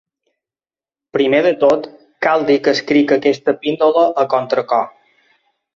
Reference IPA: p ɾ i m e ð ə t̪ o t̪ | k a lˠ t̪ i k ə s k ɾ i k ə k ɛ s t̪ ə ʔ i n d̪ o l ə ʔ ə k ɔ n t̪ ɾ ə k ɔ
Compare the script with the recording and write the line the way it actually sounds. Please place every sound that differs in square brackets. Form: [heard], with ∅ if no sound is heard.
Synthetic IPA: p ɾ i m e ð ə t̪ o t̪ | k a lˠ [d̪] i k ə s k ɾ i k ə k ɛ s t̪ ə [p] i n d̪ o l ə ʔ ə k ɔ n t̪ ɾ ə k ɔ